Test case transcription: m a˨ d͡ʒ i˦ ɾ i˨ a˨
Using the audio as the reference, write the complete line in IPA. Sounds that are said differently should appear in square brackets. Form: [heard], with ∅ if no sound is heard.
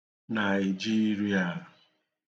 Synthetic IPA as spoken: [n] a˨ d͡ʒ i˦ ɾ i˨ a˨